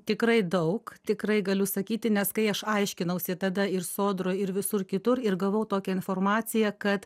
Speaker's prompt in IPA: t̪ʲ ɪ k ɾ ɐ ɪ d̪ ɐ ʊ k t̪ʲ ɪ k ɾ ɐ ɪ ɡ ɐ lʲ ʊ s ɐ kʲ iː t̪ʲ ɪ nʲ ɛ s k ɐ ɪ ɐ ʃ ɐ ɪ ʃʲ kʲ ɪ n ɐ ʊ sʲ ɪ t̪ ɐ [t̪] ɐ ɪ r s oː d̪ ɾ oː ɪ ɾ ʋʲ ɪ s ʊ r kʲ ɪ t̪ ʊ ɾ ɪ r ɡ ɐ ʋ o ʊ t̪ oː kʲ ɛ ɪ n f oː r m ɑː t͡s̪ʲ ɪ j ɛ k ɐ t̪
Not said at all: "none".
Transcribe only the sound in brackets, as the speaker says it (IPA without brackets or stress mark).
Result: d̪